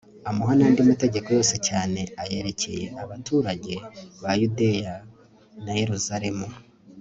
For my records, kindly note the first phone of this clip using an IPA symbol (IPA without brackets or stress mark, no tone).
a